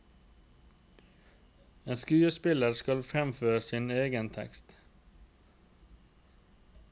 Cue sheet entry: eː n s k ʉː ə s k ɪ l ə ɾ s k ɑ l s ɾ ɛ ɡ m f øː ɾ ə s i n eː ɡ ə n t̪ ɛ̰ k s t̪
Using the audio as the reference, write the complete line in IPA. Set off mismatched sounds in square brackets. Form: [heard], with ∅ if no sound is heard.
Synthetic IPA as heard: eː n s k ʉː ə s [p] ɪ l ə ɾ s k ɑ l [f] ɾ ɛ [∅] m f øː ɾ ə s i n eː ɡ ə n [t̪ʰ] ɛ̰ k s t̪